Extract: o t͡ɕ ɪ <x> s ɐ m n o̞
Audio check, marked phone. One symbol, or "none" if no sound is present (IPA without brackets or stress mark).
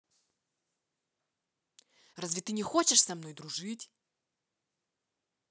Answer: ʂ